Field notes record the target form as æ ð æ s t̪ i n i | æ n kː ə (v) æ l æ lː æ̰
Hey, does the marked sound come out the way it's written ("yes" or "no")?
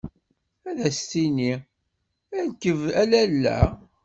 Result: yes